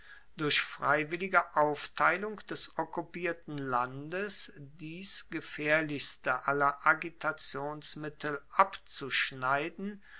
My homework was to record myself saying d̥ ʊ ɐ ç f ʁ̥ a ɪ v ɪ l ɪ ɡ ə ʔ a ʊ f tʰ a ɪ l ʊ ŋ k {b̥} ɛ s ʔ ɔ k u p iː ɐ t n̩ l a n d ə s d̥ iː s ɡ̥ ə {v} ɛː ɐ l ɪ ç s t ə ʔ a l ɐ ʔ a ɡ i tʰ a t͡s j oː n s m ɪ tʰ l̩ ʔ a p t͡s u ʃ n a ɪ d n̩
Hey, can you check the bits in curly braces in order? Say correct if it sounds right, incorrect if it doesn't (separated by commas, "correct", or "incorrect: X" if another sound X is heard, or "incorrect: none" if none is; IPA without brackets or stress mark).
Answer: incorrect: d̥, incorrect: f